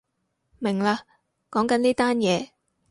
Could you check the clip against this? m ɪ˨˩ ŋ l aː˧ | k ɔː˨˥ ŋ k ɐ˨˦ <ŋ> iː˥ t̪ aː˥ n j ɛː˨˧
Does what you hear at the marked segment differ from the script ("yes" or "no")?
yes